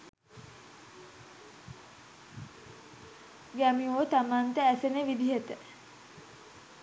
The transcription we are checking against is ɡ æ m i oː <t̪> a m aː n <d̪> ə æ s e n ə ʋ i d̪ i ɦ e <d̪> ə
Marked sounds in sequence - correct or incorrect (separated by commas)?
correct, incorrect, incorrect